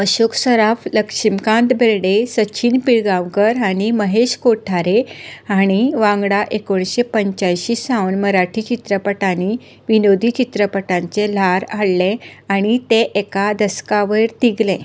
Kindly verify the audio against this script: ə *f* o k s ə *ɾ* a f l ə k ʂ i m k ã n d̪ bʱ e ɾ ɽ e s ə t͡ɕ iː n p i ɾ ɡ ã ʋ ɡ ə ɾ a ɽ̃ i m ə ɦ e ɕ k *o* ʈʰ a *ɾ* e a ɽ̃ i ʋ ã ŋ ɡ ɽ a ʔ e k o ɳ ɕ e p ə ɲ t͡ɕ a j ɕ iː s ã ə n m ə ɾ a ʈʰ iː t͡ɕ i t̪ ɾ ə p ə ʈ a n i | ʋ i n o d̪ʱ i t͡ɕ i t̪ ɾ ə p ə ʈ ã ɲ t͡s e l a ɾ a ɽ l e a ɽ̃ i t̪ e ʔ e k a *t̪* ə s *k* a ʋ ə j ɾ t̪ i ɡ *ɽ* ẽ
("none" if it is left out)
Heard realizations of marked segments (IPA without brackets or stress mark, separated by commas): ɕ, ɾ, o, ɾ, d̪, k, l